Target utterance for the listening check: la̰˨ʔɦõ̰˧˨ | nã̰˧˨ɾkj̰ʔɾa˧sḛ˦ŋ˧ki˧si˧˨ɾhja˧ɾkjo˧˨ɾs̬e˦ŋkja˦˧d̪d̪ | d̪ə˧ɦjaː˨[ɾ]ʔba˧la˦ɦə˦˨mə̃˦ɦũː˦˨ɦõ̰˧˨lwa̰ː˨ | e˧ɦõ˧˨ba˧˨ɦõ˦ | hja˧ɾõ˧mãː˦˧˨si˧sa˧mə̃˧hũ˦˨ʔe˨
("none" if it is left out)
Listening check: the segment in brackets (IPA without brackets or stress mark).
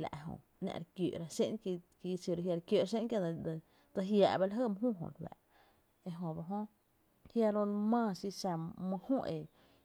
none